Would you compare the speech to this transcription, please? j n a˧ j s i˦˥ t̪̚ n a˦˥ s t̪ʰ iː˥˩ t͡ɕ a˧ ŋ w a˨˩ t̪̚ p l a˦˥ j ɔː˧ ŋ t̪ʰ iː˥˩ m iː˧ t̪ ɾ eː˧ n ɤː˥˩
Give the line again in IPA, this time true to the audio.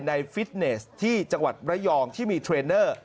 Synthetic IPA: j n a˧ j f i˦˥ t̪̚ n e˦˥ s t̪ʰ iː˥˩ t͡ɕ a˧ ŋ w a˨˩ t̪̚ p ɾ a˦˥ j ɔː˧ ŋ t̪ʰ iː˥˩ m iː˧ t̪ʰ ɾ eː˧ n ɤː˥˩